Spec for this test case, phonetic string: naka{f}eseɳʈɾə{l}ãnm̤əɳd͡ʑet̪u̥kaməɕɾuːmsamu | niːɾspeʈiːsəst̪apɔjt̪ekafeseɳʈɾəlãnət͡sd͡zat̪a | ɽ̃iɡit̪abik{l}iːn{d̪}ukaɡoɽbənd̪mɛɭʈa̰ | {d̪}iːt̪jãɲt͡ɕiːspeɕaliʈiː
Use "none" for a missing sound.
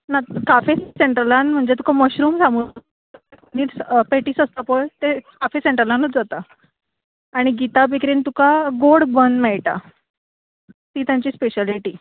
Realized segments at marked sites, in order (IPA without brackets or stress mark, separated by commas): f, l, ɾ, t̪, t̪